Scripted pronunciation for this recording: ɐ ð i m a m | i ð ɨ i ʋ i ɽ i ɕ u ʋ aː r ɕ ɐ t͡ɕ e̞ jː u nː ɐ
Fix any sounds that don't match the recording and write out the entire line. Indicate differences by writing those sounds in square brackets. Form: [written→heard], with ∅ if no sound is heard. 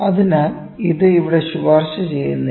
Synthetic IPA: ɐ ð i [m→n] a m | i ð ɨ i ʋ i ɽ [i→e] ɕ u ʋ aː r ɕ ɐ t͡ɕ e̞ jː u nː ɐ